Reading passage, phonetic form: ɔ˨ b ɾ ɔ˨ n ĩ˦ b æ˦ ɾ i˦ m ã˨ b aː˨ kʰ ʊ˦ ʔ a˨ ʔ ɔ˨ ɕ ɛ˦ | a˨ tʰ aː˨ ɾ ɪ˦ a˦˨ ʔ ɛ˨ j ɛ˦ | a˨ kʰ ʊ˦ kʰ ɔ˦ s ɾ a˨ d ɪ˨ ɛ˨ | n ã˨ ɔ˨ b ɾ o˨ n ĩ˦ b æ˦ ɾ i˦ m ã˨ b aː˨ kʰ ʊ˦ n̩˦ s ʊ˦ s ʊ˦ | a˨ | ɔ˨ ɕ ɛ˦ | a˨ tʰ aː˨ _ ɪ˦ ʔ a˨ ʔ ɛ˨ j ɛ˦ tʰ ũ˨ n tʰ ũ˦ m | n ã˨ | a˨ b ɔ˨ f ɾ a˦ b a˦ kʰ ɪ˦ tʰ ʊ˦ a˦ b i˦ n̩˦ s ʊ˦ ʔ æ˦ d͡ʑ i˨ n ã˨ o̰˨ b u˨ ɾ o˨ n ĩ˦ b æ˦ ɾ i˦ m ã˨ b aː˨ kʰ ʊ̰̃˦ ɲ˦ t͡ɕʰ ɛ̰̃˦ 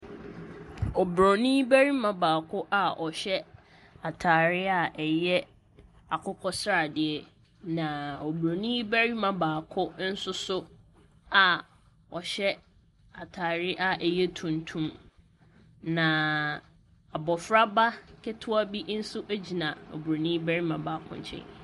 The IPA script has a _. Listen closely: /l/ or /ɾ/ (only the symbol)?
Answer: ɾ